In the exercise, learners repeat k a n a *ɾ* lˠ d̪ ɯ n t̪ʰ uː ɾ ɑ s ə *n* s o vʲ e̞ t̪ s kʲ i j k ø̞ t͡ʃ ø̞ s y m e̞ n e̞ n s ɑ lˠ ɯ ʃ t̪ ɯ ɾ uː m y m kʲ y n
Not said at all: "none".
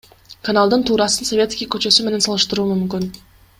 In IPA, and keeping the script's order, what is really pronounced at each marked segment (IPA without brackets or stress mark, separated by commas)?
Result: none, n